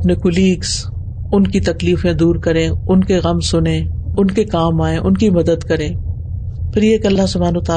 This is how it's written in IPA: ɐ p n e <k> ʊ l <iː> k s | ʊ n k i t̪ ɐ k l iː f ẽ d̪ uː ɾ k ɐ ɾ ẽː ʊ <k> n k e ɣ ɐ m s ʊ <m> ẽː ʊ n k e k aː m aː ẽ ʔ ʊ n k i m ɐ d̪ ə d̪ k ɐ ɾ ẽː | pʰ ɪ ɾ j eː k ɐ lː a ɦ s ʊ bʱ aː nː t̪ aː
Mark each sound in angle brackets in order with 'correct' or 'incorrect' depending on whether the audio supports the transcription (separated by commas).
correct, correct, incorrect, incorrect